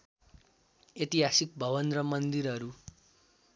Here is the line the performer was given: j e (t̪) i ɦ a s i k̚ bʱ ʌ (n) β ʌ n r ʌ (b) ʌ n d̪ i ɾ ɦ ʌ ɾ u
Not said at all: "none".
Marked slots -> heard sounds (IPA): t̪, none, m

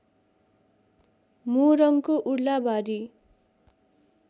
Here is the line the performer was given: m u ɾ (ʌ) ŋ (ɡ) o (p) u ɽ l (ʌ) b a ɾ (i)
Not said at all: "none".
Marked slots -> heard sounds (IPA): ʌ, k, ʔ, a, i

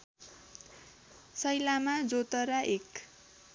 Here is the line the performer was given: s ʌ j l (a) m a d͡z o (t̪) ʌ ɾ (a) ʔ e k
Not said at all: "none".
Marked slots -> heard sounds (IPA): a, t̪, a

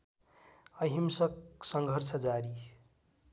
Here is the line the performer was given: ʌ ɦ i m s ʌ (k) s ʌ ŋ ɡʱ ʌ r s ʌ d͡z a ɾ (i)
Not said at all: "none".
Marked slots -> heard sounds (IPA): k, i

